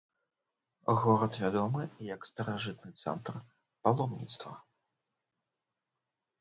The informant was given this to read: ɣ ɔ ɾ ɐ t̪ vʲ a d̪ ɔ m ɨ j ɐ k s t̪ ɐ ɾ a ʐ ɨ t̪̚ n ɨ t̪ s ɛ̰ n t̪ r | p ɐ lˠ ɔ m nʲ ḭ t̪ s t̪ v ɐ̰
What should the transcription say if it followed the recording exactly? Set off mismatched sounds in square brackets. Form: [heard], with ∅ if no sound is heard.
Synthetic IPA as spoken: ɣ ɔ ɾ ɐ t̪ vʲ a d̪ ɔ m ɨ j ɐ k s t̪ ɐ ɾ a ʐ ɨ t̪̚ n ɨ t̪ s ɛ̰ n t̪ r | p [a] lˠ ɔ m nʲ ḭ t̪ s t̪ v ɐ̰